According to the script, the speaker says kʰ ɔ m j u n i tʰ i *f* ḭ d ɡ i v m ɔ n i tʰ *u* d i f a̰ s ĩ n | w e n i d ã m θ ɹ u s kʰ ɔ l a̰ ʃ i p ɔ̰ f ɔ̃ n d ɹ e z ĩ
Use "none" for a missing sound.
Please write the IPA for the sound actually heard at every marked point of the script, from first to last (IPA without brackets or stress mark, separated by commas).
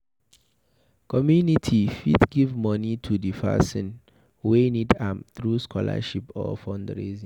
f, u